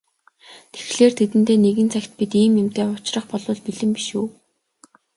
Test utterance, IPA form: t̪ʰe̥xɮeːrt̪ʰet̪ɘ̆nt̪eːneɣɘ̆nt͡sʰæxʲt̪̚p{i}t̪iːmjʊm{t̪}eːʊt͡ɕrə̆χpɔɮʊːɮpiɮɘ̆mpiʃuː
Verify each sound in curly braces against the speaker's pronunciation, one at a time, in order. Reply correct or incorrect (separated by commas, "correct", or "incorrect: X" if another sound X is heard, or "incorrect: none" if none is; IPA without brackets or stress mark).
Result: correct, correct